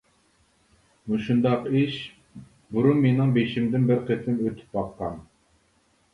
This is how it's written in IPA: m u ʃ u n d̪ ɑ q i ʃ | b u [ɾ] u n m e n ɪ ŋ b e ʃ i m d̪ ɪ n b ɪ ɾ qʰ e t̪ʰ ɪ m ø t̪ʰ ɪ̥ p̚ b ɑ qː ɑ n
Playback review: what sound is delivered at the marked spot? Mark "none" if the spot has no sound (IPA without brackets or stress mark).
ɾ